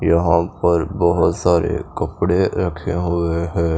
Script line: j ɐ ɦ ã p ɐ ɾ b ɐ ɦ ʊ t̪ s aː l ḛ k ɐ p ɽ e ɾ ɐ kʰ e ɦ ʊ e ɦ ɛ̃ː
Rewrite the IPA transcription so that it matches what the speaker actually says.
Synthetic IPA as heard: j ɐ ɦ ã p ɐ ɾ b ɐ ɦ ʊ t̪ s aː ɾ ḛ k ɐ p ɽ e ɾ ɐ kʰ e ɦ ʊ e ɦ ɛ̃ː